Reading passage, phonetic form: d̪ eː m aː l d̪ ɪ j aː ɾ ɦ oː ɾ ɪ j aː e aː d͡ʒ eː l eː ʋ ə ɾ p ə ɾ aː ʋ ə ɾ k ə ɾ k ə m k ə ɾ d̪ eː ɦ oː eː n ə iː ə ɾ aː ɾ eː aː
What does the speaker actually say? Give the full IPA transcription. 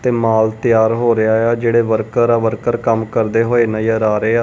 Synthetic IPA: t̪ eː m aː l t̪ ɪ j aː ɾ ɦ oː ɾ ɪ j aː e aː d͡ʒ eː ɽ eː ʋ ə ɾ k ə ɾ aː ʋ ə ɾ k ə ɾ k ə m k ə ɾ d̪ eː ɦ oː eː n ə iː ə ɾ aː ɾ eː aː